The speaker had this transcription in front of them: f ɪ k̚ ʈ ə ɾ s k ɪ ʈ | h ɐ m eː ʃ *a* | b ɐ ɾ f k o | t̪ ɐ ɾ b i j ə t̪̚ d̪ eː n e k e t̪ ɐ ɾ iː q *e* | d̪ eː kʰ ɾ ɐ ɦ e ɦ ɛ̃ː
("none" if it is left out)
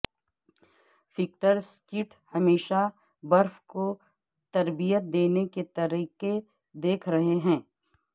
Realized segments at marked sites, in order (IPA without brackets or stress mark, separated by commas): a, e